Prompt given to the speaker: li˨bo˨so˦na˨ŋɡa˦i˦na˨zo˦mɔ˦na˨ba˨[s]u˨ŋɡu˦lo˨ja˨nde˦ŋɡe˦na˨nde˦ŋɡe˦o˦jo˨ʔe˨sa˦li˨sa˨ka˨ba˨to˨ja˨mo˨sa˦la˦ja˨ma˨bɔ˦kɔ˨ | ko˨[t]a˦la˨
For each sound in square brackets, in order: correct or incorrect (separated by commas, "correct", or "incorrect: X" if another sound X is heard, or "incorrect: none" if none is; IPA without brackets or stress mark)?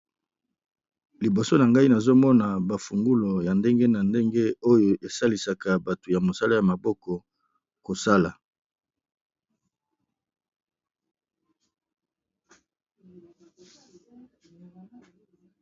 incorrect: f, incorrect: s